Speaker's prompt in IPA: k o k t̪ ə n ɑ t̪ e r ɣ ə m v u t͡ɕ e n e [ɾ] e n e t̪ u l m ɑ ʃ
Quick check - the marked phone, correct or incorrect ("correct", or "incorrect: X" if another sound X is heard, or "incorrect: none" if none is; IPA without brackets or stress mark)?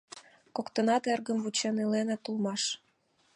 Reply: incorrect: l